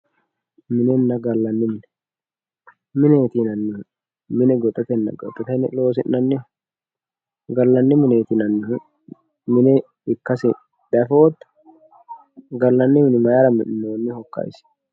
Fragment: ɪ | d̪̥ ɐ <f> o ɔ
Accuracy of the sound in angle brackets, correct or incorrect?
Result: correct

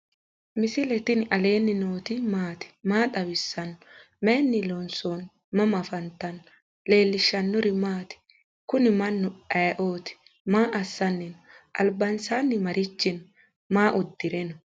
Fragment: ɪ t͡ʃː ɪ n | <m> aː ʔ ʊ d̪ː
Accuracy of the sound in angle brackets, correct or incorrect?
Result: correct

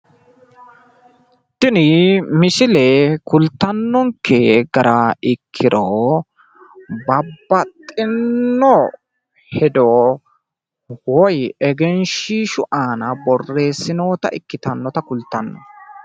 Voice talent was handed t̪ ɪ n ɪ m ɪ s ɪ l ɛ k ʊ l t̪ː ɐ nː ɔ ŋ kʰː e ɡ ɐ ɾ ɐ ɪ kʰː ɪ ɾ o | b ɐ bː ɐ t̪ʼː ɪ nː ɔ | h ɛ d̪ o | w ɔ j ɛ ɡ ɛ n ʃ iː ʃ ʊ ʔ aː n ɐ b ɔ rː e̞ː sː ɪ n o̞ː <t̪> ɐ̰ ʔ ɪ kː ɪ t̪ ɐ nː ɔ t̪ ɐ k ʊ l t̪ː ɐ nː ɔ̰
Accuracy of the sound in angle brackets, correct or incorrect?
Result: correct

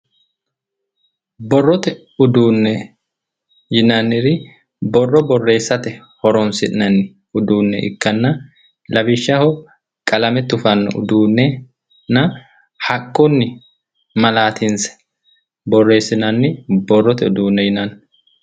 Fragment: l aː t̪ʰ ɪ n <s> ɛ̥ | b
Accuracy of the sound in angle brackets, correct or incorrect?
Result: correct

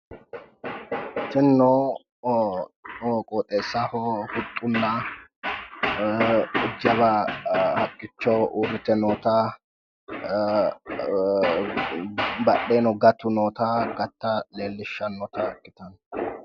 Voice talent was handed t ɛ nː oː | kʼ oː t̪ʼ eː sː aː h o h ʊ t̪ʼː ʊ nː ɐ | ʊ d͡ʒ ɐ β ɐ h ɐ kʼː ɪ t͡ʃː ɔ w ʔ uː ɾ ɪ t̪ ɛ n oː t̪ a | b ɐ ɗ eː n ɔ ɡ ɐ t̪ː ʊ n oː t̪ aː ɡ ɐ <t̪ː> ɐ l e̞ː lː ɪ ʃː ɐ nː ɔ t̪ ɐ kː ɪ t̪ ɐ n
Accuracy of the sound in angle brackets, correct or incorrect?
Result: correct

